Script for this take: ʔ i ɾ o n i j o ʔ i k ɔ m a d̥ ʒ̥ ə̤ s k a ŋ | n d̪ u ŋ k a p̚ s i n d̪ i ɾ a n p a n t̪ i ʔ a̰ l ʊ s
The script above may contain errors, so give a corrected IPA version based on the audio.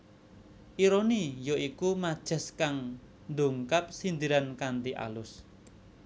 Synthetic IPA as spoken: ʔ i ɾ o n i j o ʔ i k u m a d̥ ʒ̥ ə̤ s k a ŋ | n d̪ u ŋ k a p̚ s i n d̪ i ɾ a n k a n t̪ i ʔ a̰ l ʊ s